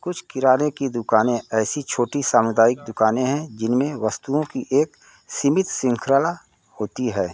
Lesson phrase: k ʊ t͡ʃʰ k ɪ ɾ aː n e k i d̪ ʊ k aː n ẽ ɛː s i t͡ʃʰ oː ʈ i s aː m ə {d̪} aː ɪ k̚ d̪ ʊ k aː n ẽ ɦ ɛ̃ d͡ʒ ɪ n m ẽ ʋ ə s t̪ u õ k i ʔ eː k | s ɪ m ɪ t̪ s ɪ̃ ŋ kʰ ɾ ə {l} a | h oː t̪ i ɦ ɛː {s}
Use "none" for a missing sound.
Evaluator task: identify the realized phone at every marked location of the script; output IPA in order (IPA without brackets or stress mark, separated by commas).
d̪, l, none